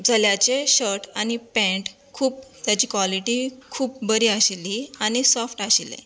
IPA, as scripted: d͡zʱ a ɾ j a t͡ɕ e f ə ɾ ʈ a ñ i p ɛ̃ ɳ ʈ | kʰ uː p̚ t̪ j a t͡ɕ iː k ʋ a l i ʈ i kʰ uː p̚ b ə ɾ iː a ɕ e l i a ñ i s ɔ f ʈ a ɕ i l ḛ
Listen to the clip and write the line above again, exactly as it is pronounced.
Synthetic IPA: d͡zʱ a l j a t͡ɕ e ɕ ə ɾ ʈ a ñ i p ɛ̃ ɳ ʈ | kʰ uː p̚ t̪ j a t͡ɕ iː k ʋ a l i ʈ i kʰ uː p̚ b ə ɾ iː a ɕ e l i a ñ i s ɔ f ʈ a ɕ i l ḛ